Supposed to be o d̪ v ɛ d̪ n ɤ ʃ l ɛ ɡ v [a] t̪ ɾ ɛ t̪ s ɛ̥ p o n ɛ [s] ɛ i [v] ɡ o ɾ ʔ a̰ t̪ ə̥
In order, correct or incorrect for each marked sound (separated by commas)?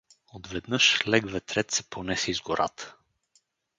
incorrect, correct, incorrect